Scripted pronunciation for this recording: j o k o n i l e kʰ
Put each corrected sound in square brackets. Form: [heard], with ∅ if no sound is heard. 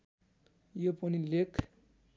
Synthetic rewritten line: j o [p] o n i l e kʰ

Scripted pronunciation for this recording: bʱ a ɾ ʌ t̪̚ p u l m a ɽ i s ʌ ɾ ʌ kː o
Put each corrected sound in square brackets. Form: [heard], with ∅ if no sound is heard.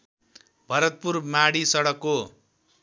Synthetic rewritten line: bʱ [ʌ] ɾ ʌ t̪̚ p u [r] m a ɽ i s ʌ [ɽ] ʌ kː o

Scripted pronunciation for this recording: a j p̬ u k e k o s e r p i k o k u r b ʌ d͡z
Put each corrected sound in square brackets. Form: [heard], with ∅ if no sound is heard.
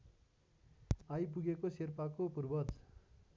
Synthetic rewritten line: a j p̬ u [ɡ] e k o s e r p [a] k o [p] u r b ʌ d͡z

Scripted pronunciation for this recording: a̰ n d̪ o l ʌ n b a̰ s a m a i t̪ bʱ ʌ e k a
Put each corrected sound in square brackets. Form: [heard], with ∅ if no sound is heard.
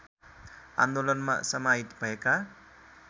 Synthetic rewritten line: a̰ n d̪ o l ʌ n [m] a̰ s [ʌ] m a i t̪ bʱ ʌ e k a

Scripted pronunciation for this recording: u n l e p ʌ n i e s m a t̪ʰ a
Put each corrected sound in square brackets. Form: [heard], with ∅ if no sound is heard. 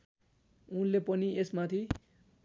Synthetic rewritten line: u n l e p ʌ n i e s m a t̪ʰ [i]

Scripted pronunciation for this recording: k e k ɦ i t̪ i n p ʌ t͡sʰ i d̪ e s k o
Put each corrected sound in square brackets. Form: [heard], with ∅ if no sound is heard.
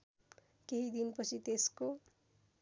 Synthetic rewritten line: k e [∅] ɦ i [d̪] i n p ʌ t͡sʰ i [t̪] e s k o

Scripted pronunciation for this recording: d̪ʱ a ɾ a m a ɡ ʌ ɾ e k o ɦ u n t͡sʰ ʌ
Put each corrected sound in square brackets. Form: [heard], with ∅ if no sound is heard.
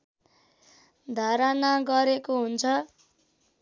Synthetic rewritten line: d̪ʱ a ɾ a [n] a ɡ ʌ ɾ e k o ɦ u n t͡sʰ ʌ

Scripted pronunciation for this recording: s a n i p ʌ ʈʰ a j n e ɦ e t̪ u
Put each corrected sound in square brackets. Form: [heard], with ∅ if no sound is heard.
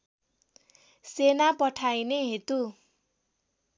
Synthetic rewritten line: s [e] n [a] p ʌ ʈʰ a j n e ɦ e t̪ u

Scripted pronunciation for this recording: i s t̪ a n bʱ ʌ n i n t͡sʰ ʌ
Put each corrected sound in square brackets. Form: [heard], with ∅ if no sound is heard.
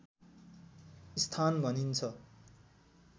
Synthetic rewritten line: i s [t̪ʰ] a n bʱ ʌ n i n t͡sʰ ʌ

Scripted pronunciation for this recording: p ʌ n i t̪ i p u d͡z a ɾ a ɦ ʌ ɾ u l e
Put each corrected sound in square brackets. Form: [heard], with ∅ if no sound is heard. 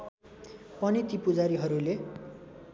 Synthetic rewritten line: p ʌ n i t̪ i p u d͡z a ɾ [i] ɦ ʌ ɾ u l e

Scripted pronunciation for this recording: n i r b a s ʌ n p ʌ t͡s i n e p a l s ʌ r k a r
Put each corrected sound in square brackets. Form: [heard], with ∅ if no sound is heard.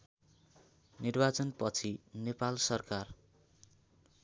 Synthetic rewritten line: n i r b a [t͡s] ʌ n p ʌ [t͡sʰ] i n e p a l s ʌ r k a r

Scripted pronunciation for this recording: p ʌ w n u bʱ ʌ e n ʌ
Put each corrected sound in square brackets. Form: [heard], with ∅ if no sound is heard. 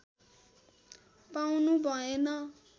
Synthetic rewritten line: p [a] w n u bʱ ʌ e n ʌ

